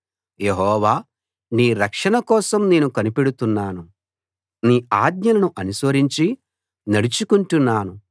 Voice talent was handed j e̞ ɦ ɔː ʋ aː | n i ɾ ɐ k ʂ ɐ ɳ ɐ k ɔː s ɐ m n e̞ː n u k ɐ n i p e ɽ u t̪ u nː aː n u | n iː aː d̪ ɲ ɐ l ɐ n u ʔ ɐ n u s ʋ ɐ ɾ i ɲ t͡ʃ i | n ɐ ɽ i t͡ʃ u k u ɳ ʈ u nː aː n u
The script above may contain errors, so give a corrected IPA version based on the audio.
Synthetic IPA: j e̞ ɦ ɔː ʋ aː | n iː ɾ ɐ k ʂ ɐ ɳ ɐ k ɔː s ɐ m n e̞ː n u k ɐ n i p e ɽ u t̪ u nː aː n u | n iː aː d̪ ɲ ɐ l ɐ n u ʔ ɐ n u s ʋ ɐ ɾ i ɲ t͡ʃ i | n ɐ ɽ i t͡ʃ u k u ɳ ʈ u nː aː n u

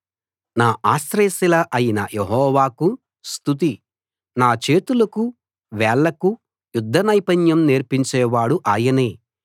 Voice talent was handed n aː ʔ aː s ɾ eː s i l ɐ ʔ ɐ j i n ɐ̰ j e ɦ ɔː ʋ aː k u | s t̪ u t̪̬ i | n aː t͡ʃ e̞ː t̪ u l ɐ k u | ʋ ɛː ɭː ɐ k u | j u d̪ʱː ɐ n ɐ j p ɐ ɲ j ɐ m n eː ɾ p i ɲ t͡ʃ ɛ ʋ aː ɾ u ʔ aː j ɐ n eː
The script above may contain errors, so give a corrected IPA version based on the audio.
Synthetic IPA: n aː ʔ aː s ɾ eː s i l ɐ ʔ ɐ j i n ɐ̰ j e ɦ ɔː ʋ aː k u | s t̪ u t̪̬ i | n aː t͡ʃ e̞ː t̪ u l ɐ k u | ʋ ɛː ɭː ɐ k u | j u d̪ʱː ɐ n ɐ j p ɐ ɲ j ɐ m n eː ɾ p i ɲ t͡ʃ ɛː ʋ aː ɽ u ʔ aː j ɐ n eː

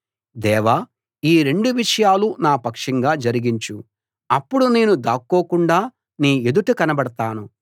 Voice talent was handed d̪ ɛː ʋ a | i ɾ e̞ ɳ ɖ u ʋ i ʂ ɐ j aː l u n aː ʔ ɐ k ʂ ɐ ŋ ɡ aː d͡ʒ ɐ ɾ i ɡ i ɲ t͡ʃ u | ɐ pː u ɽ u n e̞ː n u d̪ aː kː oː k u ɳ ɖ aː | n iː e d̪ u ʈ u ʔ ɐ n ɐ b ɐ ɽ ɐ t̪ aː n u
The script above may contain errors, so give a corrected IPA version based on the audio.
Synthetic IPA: d̪ ɛː ʋ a | iː ɾ e̞ ɳ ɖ u ʋ i ʂ ɐ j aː l u n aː p ɐ k ʂ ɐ ŋ ɡ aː d͡ʒ ɐ ɾ i ɡ i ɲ t͡ʃ u | ɐ pː u ɽ u n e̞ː n u d̪ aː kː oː k u ɳ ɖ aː | n iː e d̪ u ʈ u k ɐ n ɐ b ɐ ɽ ɐ t̪ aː n u

